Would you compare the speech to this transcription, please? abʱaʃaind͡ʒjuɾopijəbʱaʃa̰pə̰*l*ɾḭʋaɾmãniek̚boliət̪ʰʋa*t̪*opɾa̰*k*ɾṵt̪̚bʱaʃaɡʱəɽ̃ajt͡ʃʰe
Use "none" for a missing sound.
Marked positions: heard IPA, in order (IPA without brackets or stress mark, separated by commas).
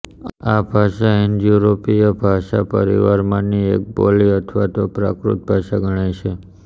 none, t̪, k